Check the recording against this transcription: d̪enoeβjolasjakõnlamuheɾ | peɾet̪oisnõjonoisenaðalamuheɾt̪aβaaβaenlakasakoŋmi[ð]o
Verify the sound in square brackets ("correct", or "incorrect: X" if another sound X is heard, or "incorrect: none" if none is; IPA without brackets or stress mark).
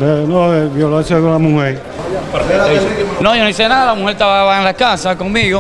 incorrect: ɣ